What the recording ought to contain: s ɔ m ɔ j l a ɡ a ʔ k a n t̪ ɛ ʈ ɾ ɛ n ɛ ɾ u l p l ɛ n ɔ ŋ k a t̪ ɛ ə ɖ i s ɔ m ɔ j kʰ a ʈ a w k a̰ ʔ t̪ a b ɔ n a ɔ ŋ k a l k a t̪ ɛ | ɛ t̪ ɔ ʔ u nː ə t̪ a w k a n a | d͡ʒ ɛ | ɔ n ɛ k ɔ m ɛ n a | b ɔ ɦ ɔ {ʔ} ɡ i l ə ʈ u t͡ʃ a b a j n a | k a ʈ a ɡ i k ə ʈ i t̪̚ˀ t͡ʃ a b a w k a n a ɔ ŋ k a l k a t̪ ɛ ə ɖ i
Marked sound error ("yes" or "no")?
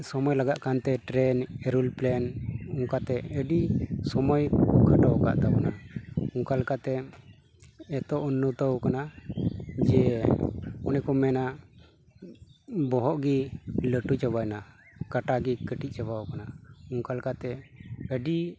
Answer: no